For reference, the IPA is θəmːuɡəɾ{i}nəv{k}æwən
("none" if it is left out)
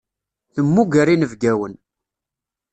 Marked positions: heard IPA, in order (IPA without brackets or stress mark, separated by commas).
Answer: i, ɡ